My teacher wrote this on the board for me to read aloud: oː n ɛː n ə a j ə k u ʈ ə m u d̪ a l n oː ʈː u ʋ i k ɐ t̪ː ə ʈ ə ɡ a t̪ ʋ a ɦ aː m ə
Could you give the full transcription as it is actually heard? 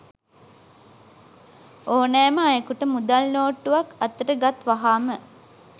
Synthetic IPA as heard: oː n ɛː m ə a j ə k u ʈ ə m u d̪ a l n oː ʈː u ʋ a k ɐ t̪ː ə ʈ ə ɡ a t̪ ʋ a ɦ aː m ə